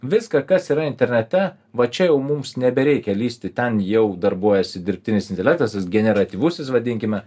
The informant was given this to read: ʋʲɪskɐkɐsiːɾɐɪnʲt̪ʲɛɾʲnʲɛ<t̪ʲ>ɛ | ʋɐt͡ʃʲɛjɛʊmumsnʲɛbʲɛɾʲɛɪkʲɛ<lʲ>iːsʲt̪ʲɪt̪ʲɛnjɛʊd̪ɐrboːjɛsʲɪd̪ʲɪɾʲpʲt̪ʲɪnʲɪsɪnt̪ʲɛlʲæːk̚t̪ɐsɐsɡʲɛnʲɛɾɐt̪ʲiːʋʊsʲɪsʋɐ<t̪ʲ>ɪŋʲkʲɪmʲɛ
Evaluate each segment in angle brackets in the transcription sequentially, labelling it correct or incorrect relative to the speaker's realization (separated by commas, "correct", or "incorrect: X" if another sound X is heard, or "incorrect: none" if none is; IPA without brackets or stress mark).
correct, correct, incorrect: d̪ʲ